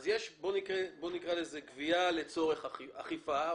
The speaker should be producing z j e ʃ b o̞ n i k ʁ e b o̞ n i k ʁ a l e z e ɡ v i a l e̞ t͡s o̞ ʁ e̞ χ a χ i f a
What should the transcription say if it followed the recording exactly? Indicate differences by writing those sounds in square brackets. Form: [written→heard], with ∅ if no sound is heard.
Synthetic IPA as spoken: z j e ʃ b o̞ n i k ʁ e b o̞ n i k ʁ a l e z e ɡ v i a l e̞ t͡s o̞ ʁ e̞ χ a χ i f a

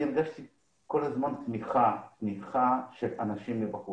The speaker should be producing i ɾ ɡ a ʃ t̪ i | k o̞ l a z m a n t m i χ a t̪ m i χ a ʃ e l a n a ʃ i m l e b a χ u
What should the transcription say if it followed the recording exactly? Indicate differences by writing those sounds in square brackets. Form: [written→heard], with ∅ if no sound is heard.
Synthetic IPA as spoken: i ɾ ɡ a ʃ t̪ i | k o̞ l a z m a n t m i χ a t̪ m i χ a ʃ e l a n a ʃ i m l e b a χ u

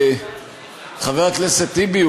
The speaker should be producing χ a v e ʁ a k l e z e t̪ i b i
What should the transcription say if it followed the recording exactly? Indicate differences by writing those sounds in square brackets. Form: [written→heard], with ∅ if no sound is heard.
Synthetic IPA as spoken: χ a v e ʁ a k l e [z→s] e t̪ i b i

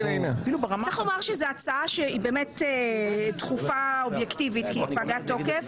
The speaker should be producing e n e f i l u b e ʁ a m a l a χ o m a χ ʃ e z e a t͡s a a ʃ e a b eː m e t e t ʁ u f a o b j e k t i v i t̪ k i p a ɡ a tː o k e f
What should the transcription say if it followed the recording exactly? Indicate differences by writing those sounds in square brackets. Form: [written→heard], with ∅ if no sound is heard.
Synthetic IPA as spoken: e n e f i l u b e ʁ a m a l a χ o m a [χ→ʁ] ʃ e z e a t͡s a a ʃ e [a→i] b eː m e t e t [ʁ→χ] u f a o b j e k t i v i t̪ k i p a ɡ a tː o k e f

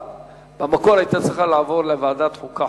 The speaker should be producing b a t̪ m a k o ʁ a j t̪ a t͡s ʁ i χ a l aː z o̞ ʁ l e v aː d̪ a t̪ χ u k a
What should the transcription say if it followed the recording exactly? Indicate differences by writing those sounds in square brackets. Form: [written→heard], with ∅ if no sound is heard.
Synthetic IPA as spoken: b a [t̪→∅] m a k o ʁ a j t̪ a t͡s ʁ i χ a l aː [z→v] o̞ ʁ l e v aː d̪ a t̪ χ u k a

